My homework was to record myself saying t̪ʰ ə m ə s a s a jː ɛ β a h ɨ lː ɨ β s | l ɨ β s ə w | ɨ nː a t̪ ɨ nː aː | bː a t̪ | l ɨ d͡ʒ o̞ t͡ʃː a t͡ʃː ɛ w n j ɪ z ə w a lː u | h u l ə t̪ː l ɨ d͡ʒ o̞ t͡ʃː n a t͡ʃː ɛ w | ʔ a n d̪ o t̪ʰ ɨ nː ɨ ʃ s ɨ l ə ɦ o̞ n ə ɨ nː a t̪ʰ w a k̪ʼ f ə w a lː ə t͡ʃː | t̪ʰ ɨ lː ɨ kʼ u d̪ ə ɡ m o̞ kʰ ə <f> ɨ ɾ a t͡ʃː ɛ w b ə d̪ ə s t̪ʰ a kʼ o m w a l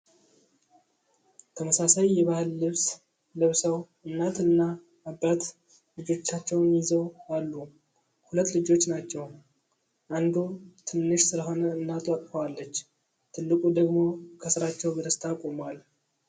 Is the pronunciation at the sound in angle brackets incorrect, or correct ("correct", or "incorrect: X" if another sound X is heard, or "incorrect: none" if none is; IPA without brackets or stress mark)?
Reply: incorrect: s